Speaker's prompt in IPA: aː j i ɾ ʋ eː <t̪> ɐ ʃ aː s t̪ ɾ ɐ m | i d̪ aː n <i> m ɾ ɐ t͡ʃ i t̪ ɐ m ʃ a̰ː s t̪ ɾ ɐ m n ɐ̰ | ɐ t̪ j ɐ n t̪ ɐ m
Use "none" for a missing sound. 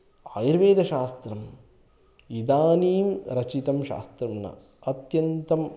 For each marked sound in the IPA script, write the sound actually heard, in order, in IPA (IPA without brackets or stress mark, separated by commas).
d̪, iː